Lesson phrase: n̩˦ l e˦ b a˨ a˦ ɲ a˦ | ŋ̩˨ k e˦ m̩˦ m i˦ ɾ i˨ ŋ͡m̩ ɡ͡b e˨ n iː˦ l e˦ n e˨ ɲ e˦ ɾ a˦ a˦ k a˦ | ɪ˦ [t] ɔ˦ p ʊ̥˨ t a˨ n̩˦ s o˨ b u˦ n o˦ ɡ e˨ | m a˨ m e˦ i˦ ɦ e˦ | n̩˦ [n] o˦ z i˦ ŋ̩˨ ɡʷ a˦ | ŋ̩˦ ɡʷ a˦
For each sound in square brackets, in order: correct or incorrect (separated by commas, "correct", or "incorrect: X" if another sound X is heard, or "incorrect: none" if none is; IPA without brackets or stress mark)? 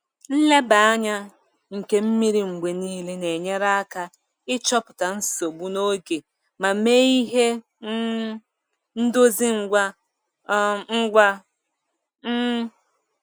incorrect: t͡ʃ, incorrect: d